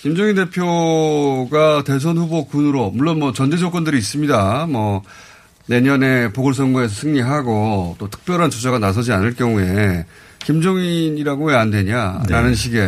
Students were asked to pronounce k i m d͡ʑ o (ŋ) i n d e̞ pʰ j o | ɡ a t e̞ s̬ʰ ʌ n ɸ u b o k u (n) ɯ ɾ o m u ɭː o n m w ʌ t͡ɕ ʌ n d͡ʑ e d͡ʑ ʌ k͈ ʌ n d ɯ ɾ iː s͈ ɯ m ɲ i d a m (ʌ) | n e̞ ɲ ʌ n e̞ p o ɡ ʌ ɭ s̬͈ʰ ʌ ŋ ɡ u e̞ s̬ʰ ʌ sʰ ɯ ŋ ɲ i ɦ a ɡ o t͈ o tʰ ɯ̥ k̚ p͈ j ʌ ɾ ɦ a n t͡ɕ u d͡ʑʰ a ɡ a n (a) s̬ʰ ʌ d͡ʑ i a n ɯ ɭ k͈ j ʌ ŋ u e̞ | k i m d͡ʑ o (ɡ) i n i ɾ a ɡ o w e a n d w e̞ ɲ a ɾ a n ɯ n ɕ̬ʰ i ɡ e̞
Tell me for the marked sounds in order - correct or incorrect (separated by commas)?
correct, correct, correct, correct, incorrect